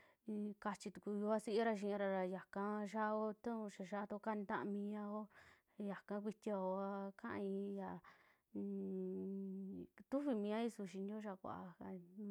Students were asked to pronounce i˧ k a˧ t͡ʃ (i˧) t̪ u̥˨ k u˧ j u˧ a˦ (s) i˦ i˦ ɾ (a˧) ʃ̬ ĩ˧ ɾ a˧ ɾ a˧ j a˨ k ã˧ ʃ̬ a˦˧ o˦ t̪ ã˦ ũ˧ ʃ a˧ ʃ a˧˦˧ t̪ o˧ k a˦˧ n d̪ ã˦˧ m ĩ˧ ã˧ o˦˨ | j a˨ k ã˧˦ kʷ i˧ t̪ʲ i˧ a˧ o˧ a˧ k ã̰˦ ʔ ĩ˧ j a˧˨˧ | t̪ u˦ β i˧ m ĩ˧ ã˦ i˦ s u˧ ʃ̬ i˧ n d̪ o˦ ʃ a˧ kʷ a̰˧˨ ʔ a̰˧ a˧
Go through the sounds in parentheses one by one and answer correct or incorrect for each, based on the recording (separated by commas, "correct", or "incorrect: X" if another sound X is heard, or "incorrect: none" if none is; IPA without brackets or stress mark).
correct, correct, correct